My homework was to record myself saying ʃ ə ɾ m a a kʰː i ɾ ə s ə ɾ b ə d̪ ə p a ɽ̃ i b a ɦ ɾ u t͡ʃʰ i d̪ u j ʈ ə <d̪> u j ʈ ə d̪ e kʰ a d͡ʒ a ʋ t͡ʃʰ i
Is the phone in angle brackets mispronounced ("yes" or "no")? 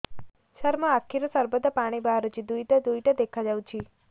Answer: no